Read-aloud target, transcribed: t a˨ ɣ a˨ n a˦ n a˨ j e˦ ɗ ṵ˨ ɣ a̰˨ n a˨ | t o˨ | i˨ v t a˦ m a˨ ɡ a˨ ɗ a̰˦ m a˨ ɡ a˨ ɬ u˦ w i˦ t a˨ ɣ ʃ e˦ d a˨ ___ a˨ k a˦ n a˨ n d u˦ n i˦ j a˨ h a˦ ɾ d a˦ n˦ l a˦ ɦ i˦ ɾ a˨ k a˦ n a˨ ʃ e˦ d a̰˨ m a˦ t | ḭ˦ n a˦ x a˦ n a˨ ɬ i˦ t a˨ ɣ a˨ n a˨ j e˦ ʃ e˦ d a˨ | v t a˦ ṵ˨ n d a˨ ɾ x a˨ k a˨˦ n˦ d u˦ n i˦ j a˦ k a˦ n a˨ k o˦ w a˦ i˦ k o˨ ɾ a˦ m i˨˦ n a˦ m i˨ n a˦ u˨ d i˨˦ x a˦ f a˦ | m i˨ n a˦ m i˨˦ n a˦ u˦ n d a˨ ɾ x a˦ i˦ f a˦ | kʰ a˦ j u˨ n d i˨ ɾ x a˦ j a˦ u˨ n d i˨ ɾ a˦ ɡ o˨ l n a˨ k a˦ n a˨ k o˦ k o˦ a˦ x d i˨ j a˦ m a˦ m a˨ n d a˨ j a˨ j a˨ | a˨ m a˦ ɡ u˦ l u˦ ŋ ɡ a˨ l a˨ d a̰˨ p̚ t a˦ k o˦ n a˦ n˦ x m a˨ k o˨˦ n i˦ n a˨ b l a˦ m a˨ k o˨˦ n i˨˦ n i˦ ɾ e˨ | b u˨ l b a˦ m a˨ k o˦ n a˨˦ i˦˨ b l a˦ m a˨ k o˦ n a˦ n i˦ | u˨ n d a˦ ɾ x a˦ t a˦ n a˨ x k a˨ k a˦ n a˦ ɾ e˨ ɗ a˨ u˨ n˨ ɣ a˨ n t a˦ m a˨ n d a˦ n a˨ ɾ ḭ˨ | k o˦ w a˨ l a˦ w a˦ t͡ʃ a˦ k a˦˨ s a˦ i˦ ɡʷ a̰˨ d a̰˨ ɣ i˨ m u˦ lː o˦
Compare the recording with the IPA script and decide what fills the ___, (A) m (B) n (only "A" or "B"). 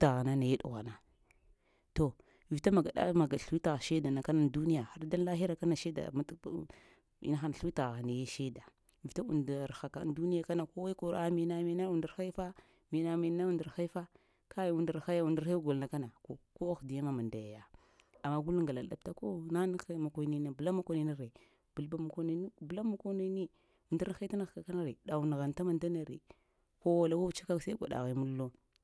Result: B